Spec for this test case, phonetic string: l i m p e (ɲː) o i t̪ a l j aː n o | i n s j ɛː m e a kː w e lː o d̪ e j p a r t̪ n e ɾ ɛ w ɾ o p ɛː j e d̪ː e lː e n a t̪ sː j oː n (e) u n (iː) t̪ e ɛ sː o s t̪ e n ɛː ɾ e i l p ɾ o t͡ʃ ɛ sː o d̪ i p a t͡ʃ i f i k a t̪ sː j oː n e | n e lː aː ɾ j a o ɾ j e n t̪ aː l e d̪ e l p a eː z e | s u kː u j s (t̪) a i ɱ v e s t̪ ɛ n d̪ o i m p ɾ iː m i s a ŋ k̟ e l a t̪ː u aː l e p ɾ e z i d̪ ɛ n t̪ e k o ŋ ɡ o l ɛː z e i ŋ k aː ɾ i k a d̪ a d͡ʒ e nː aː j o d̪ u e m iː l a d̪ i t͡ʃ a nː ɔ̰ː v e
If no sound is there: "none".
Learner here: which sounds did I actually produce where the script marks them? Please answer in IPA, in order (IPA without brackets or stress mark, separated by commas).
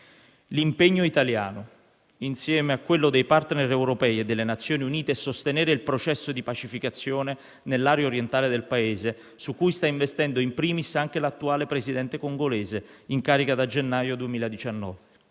ɲː, i, iː, t̪